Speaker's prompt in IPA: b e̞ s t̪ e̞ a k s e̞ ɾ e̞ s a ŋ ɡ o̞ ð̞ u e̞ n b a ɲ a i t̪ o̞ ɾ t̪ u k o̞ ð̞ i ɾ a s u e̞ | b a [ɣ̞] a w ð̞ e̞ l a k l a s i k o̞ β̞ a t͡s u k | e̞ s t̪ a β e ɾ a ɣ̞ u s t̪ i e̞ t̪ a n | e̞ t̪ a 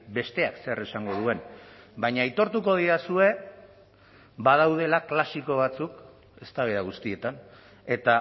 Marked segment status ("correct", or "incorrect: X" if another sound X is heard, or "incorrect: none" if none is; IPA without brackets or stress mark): incorrect: ð̞